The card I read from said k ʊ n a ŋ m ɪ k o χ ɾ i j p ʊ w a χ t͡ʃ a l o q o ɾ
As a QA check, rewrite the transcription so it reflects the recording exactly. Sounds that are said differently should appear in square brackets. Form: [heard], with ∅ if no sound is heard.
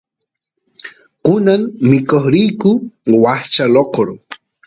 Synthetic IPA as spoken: k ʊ n a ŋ m ɪ k o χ ɾ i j [k] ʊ w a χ t͡ʃ a l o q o ɾ